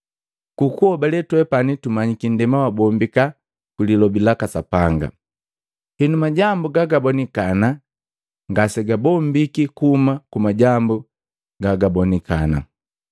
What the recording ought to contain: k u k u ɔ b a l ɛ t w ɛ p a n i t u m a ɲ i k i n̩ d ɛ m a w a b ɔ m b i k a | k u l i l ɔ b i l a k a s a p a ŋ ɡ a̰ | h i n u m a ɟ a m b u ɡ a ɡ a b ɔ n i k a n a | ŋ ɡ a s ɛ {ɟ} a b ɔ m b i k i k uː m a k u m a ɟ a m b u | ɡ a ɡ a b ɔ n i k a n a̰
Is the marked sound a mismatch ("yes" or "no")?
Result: yes